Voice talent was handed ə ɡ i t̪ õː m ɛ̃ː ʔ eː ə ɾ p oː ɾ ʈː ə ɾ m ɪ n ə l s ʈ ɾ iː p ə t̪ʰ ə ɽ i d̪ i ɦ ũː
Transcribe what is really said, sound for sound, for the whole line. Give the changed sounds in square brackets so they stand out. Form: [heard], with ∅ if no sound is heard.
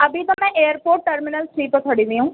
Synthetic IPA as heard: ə [b] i t̪ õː m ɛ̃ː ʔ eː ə ɾ p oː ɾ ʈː ə ɾ m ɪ n ə l s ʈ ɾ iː p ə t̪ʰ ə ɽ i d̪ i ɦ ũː

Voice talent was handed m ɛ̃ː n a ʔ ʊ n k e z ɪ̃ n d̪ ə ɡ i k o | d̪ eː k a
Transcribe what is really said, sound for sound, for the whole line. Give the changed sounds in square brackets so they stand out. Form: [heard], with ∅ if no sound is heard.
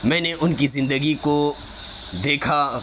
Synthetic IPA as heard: m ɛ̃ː n [e] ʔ ʊ n k [i] z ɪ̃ n d̪ ə ɡ i k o | d̪ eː [kʰ] a

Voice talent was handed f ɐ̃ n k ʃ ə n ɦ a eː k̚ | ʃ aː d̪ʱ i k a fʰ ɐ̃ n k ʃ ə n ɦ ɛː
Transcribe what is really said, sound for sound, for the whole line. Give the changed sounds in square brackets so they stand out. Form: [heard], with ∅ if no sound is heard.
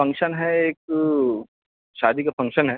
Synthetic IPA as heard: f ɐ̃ [ŋ] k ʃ ə n ɦ [ɛ] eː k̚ | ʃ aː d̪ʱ i k a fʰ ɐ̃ [ŋ] k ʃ ə n ɦ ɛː

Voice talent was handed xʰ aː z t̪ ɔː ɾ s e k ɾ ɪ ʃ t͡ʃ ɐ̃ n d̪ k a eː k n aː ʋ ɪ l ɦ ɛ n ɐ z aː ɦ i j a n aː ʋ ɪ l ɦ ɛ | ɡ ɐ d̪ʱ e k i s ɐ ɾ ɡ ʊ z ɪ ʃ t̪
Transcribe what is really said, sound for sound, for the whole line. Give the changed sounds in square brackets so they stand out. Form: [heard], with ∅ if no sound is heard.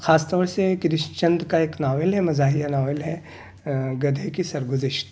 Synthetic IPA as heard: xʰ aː [s] t̪ ɔː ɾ s e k ɾ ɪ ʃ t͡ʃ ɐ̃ n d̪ k a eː k n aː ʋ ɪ l ɦ ɛ [m] ɐ z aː ɦ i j a n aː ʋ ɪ l ɦ ɛ | ɡ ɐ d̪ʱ e k i s ɐ ɾ ɡ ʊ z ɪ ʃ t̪

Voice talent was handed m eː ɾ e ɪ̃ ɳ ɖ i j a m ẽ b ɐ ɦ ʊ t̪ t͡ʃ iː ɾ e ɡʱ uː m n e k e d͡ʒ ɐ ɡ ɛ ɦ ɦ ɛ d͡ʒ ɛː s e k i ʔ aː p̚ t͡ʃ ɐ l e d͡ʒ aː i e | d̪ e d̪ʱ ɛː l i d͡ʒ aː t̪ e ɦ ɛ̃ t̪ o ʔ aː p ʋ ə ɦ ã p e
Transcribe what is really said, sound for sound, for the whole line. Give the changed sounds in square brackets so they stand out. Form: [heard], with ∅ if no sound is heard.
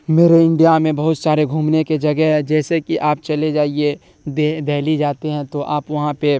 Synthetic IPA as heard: m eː ɾ e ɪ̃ ɳ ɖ i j a m ẽ b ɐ ɦ ʊ t̪ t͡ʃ [aː] ɾ e ɡʱ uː m n e k e d͡ʒ ɐ ɡ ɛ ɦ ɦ ɛ d͡ʒ ɛː s e k i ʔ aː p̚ t͡ʃ ɐ l e d͡ʒ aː i e | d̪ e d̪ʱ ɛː l i d͡ʒ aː t̪ e ɦ ɛ̃ t̪ o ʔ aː p ʋ [ɐ] ɦ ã p e

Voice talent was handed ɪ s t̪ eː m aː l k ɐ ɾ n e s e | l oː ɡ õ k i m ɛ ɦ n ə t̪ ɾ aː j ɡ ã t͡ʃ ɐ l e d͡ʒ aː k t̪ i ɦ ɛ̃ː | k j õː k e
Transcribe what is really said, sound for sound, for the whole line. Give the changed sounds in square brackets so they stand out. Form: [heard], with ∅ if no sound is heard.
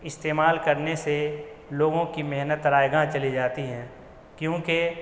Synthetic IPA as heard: ɪ s t̪ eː m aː l k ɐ ɾ n e s e | l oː ɡ õ k i m ɛ ɦ n ə t̪ ɾ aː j ɡ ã t͡ʃ ɐ l [i] d͡ʒ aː [∅] t̪ i ɦ ɛ̃ː | k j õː k e

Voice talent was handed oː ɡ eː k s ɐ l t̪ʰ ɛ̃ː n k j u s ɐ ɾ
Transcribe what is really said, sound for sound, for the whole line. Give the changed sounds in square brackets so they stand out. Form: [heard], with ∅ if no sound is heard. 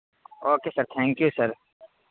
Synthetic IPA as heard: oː [k] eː [∅] s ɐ [ɾ] t̪ʰ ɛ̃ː [ŋ] k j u s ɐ ɾ

